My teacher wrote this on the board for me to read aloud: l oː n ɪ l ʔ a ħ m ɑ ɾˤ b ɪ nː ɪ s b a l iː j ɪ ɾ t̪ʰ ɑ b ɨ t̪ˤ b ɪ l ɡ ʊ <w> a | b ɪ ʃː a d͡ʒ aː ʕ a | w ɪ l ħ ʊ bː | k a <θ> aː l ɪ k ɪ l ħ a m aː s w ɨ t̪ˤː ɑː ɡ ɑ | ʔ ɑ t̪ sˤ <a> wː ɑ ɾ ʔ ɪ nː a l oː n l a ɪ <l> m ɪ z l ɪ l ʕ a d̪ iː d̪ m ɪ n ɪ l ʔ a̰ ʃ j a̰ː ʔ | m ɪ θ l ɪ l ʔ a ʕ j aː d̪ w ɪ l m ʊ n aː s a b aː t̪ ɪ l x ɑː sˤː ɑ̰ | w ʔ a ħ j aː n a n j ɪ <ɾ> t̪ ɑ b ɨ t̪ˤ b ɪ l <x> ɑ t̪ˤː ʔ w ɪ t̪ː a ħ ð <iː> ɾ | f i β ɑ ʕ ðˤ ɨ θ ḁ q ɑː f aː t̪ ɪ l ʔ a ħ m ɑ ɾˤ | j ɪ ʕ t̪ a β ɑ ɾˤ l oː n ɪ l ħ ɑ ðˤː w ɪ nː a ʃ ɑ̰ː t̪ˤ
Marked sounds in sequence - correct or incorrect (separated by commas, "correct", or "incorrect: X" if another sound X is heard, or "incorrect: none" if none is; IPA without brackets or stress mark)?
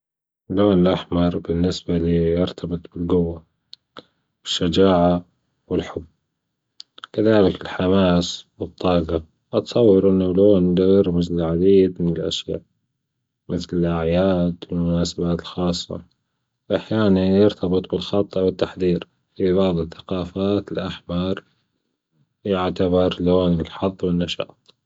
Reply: incorrect: wː, incorrect: ð, incorrect: ɑ, incorrect: ɾ, correct, correct, correct